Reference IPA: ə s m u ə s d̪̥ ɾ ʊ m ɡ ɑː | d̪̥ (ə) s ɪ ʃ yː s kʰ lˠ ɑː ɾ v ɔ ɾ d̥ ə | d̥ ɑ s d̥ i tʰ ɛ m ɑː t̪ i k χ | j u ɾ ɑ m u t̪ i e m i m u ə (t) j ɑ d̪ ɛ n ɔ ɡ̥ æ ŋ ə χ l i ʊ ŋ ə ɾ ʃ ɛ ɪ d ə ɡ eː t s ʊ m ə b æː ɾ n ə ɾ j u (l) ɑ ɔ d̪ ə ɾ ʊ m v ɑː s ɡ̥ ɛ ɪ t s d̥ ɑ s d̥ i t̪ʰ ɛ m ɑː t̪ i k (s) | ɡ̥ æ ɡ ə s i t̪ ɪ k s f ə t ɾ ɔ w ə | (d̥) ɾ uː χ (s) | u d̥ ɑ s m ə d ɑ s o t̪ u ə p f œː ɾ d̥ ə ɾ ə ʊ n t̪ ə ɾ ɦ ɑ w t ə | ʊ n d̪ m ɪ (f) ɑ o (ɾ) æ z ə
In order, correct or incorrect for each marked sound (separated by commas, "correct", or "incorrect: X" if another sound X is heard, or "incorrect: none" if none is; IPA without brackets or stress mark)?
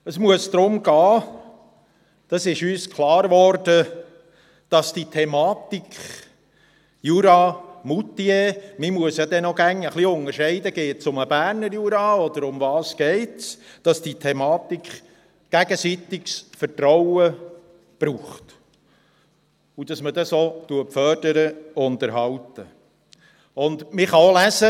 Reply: incorrect: ɑ, incorrect: s, incorrect: ɾ, incorrect: χ, incorrect: b̥, incorrect: t, incorrect: χ, incorrect: l